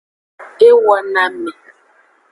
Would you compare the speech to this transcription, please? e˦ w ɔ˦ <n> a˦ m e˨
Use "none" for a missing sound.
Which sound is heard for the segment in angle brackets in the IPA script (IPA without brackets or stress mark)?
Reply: n